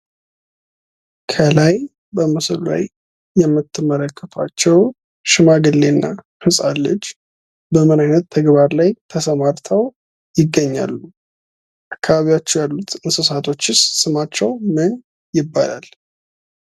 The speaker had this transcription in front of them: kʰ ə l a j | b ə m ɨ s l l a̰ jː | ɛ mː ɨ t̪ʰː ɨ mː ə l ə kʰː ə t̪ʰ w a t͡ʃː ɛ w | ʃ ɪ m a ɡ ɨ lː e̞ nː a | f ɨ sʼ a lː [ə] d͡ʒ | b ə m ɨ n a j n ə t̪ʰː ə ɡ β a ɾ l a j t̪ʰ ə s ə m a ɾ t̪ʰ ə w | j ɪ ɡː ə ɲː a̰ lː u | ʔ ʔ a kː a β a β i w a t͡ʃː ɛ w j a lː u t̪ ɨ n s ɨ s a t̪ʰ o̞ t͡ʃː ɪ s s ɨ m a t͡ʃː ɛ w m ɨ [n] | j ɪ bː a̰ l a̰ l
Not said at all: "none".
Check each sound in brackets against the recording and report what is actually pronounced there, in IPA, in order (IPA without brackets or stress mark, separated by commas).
ə, n